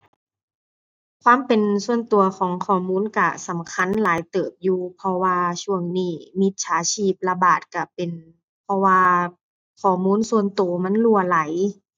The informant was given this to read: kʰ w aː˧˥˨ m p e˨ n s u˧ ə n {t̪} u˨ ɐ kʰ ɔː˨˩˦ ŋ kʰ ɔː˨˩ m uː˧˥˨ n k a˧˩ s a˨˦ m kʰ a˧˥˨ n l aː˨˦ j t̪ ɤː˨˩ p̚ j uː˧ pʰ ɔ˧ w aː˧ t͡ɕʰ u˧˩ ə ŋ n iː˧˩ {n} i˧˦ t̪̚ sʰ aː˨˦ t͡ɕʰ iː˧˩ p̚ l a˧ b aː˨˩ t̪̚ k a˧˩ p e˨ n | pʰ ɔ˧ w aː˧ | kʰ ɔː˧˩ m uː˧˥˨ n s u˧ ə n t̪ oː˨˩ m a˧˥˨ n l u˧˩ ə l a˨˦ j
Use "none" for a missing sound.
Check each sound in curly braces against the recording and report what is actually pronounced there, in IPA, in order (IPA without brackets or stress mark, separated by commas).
t̪, m